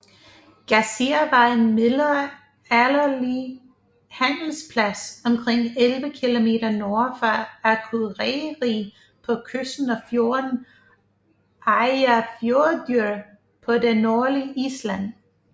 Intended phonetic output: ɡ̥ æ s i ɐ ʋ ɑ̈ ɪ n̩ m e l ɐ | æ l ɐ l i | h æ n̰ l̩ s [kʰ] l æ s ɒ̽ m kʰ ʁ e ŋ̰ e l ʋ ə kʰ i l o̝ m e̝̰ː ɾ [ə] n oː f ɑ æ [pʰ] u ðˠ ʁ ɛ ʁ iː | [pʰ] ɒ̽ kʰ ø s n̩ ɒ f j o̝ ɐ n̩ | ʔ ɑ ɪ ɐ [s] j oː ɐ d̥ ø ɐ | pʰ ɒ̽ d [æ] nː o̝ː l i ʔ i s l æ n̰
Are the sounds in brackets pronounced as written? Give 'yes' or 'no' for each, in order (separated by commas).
no, no, no, yes, no, no